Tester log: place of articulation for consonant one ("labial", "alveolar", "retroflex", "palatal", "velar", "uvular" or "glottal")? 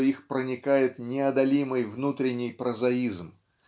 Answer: velar